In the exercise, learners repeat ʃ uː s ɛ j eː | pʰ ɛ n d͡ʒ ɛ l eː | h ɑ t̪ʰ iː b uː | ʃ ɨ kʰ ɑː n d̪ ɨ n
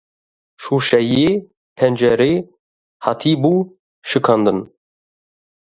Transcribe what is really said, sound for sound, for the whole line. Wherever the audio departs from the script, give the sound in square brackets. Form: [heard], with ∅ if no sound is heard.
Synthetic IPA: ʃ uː [ʃ] ɛ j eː | pʰ ɛ n d͡ʒ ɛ [ɾ] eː | h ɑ t̪ʰ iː b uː | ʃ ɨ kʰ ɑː n d̪ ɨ n